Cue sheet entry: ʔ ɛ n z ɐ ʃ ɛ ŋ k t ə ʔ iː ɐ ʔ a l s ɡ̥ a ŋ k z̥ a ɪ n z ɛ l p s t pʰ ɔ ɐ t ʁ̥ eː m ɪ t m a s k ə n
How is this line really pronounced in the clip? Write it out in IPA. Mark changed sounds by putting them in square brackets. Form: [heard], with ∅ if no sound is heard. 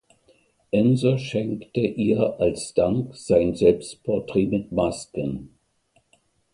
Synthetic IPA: ʔ ɛ n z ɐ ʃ ɛ ŋ k t ə ʔ iː ɐ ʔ a l s [d̥] a ŋ k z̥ a ɪ n z ɛ l p s t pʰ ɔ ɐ t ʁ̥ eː m ɪ t m a s k ə n